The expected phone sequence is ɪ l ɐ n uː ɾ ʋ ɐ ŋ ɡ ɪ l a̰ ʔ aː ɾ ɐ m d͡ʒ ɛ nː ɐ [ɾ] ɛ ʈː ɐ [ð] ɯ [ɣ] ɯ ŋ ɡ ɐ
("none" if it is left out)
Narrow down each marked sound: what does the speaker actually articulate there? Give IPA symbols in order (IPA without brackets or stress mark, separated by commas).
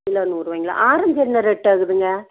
ɾ, ɣ, ð